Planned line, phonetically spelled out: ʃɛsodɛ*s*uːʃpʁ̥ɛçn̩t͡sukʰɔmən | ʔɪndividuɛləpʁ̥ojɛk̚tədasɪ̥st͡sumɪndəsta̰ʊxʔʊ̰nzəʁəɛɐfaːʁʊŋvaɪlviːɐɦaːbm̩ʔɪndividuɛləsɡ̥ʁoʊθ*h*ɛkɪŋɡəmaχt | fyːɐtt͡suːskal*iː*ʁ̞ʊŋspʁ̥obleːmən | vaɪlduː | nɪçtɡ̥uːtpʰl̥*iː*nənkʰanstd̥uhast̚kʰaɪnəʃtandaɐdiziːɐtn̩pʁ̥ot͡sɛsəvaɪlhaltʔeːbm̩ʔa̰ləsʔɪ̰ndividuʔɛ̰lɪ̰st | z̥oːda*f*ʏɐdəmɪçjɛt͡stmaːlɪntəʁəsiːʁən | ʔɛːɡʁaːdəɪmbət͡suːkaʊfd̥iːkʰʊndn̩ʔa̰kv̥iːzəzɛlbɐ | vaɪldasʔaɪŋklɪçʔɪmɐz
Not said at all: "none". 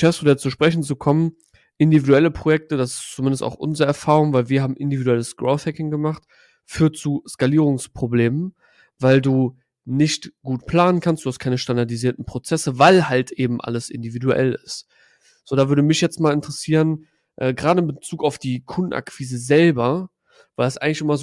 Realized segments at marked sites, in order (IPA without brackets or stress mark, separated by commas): t͡s, h, iː, aː, v